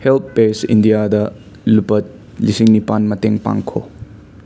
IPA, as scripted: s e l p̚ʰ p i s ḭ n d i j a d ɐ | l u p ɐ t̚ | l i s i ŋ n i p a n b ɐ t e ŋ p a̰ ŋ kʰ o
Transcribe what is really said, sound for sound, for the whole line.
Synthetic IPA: h e l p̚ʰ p e s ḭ n d i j a d ɐ | l u p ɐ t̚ | l i s i ŋ n i p a n m ɐ t e ŋ p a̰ ŋ kʰ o

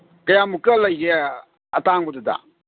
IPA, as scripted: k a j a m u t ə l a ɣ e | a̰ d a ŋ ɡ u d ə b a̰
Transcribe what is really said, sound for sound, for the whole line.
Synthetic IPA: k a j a m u k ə l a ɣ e | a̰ t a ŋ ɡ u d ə d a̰

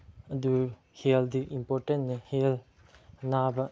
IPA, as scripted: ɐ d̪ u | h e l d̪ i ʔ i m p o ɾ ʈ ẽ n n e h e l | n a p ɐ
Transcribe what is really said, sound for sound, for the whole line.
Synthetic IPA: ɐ d̪ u | h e l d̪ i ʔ i m p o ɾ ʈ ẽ n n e h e l | n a b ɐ

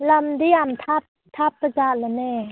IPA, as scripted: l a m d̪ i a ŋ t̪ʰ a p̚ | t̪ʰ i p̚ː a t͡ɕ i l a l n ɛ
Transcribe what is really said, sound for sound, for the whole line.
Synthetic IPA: l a m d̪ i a m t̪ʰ a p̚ | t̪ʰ a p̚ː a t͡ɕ a l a n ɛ

